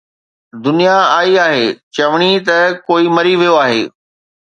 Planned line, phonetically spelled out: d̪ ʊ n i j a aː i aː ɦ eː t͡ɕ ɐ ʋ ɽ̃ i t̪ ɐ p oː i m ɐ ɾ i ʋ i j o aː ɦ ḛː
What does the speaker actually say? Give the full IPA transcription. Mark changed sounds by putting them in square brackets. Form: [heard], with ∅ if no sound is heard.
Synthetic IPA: d̪ ʊ n i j a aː i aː ɦ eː t͡ɕ ɐ ʋ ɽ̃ i t̪ ɐ [k] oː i m ɐ ɾ i ʋ i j o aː ɦ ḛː